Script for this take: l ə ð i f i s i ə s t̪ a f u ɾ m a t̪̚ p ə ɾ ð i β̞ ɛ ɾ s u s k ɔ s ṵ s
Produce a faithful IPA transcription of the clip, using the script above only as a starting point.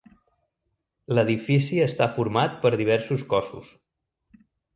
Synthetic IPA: l ə ð i f i s i ə s t̪ a f u ɾ m a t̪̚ p ə ɾ ð i β̞ ɛ ɾ s u s k ɔ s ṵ s